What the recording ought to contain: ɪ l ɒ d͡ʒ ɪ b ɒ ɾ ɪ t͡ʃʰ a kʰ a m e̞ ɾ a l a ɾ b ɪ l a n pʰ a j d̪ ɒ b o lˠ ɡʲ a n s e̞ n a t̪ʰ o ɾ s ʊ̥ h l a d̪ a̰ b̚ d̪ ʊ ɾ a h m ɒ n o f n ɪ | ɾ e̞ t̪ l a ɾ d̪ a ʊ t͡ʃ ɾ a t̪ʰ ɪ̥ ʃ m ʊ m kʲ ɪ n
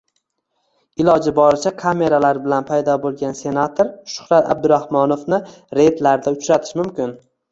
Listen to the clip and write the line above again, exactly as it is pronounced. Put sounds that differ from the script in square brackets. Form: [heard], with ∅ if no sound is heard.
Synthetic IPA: ɪ l ɒ d͡ʒ ɪ b ɒ ɾ ɪ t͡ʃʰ a kʰ a m e̞ ɾ a l a ɾ b ɪ l a n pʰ a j d̪ ɒ b o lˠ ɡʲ a n s e̞ n a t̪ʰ o ɾ [ʃ] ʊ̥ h [ɾ] a [t̪] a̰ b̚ d̪ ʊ ɾ a h m ɒ n o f n ɪ | ɾ e̞ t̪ l a ɾ d̪ a ʊ t͡ʃ ɾ a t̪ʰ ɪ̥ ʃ m ʊ m kʲ ɪ n